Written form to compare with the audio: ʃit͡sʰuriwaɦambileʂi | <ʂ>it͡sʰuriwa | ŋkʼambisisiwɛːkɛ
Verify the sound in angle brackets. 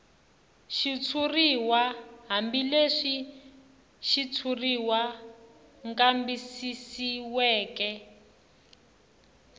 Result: incorrect: ʃ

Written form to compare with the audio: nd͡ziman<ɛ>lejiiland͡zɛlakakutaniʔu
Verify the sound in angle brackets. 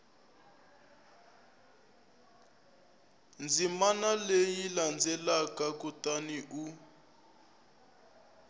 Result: incorrect: a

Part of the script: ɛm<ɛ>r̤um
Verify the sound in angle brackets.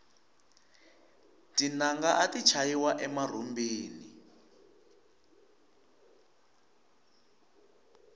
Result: incorrect: a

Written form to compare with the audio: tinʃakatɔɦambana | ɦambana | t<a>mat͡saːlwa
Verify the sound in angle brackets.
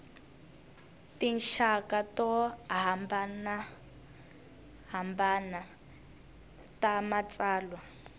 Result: correct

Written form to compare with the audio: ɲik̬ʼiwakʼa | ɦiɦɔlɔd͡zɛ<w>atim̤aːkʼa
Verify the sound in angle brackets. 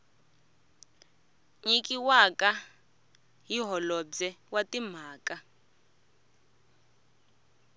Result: correct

